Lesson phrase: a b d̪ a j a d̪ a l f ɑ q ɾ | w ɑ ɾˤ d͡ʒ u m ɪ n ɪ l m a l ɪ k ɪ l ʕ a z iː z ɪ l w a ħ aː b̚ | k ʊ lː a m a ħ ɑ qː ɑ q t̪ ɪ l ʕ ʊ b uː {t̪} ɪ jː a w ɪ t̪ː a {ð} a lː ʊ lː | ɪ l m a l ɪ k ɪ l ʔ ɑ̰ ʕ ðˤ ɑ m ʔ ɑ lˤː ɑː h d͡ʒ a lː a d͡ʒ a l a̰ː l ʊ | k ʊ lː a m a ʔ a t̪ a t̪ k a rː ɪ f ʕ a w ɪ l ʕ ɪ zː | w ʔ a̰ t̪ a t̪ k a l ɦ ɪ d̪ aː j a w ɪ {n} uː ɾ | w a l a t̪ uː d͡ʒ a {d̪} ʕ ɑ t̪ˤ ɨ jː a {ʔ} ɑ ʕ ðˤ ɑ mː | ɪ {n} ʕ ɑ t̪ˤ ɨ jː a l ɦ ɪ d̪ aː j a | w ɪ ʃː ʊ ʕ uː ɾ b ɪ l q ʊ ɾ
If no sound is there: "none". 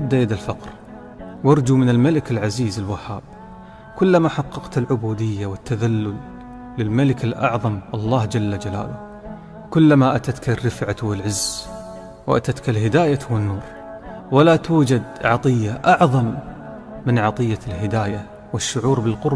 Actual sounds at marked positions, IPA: d̪, ð, nː, d̪, ʔ, n

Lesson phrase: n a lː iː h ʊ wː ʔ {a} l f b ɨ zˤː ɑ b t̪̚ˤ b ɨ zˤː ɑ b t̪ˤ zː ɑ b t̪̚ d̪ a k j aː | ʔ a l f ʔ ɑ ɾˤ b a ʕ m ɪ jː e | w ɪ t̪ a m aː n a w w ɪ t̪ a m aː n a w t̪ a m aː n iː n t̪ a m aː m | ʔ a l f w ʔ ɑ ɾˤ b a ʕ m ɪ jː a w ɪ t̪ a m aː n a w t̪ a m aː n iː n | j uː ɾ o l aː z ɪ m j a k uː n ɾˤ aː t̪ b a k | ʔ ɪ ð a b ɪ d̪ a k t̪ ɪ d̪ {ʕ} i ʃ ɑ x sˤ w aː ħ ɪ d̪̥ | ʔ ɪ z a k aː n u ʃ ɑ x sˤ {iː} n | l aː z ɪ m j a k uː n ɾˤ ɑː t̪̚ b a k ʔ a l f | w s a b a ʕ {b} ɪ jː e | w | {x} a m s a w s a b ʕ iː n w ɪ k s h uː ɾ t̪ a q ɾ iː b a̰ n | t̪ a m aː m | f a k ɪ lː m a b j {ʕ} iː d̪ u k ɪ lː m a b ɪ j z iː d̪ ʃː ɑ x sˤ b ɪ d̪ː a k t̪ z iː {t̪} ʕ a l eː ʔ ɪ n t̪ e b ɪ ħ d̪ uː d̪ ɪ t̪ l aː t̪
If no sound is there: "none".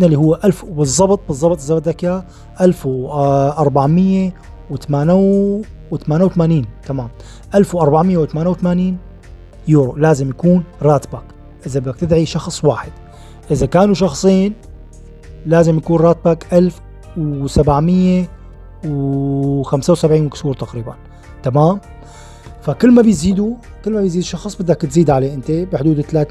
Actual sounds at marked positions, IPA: a, ʕ, iː, m, x, z, d̪

